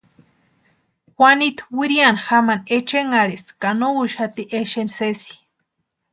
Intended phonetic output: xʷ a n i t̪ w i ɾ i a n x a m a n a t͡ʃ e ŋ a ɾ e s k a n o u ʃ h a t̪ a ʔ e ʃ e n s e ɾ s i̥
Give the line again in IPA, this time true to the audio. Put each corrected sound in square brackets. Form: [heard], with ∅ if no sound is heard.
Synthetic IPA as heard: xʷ a n i t̪ w i ɾ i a n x a m a n [e] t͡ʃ e ŋ a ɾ e s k a n o u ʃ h a t̪ [i] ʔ e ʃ e n s e [∅] s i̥